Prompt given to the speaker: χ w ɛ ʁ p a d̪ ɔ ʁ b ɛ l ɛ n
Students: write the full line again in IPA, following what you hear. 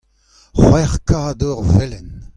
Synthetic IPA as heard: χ w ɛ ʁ k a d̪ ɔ ʁ v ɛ l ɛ n